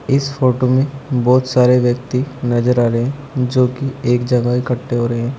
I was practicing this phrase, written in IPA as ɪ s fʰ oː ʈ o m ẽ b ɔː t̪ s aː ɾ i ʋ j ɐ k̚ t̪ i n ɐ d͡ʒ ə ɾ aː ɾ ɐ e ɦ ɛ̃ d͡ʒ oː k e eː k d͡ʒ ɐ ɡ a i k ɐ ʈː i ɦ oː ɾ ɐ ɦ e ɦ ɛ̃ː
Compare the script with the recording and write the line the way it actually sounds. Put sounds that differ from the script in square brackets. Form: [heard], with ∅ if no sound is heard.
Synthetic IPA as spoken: ɪ s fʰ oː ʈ o m ẽ b ɔː t̪ s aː ɾ [e] ʋ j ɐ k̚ t̪ i n ɐ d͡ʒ ə ɾ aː ɾ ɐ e ɦ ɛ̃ d͡ʒ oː k [i] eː k d͡ʒ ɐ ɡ a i k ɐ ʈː [e] ɦ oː ɾ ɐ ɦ e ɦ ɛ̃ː